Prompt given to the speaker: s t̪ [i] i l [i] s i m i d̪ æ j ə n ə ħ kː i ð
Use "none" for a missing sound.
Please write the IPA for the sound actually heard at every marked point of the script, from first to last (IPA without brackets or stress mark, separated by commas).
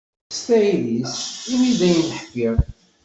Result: æ, i